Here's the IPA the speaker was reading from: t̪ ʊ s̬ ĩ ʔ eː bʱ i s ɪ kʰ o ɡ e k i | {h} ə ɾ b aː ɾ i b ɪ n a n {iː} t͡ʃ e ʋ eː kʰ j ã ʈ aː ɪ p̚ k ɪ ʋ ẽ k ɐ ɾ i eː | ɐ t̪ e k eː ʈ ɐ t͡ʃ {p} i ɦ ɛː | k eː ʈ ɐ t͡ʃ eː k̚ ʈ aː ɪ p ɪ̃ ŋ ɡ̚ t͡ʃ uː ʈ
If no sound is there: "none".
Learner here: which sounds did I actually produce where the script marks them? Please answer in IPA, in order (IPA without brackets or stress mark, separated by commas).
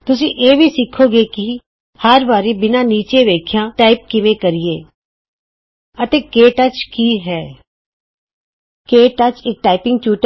h, iː, k